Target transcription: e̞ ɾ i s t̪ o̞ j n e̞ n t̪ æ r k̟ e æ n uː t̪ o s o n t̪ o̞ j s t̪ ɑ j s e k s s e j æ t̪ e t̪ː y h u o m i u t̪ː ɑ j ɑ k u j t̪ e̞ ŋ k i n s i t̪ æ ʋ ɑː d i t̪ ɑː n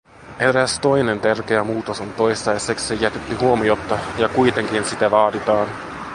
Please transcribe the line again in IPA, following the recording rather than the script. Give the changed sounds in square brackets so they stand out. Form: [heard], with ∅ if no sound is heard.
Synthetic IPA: e̞ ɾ [æ] s t̪ o̞ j n e̞ n t̪ æ r k̟ e æ [m] uː t̪ o s o n t̪ o̞ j s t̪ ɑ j s e k s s e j æ t̪ e t̪ː y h u o m i [o] t̪ː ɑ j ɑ k u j t̪ e̞ ŋ k i n s i t̪ æ ʋ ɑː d i t̪ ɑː n